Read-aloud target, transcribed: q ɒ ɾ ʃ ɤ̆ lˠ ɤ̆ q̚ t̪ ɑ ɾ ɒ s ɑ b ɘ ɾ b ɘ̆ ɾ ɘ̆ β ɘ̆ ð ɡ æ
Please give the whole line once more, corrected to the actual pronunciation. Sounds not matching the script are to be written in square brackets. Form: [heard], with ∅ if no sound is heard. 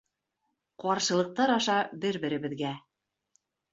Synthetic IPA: q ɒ ɾ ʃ ɤ̆ lˠ ɤ̆ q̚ t̪ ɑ ɾ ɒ [ʃ] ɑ b ɘ ɾ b ɘ̆ ɾ ɘ̆ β ɘ̆ ð ɡ æ